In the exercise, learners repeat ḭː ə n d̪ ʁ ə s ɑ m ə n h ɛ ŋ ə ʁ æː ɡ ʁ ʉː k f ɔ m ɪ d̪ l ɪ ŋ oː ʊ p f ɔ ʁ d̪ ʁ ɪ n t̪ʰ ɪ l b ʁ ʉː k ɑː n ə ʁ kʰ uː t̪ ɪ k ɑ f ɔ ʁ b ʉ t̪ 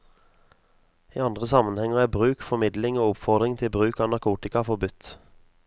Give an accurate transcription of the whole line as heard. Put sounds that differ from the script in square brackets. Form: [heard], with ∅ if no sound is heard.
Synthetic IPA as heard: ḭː [ɑ] n d̪ ʁ ə s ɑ m ə n h ɛ ŋ ə ʁ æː [b] ʁ ʉː k f ɔ m ɪ d̪ l ɪ ŋ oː ʊ p f ɔ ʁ d̪ ʁ ɪ [ŋ] t̪ʰ ɪ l b ʁ ʉː k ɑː n [ɑ] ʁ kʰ uː t̪ ɪ k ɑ f ɔ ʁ b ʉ t̪